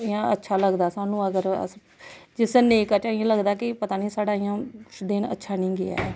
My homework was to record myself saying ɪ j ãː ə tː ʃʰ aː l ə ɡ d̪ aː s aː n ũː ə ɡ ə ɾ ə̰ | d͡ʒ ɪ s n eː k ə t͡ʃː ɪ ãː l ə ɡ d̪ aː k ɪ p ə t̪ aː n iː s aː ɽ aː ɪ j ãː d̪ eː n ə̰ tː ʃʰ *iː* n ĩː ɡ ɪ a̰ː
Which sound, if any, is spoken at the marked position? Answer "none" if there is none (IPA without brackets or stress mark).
aː